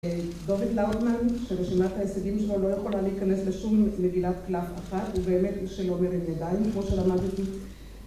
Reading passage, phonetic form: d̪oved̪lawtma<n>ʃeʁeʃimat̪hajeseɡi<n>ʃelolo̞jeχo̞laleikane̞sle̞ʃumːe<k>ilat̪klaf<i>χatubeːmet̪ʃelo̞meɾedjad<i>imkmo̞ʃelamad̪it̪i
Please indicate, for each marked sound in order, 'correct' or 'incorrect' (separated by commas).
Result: correct, incorrect, incorrect, incorrect, incorrect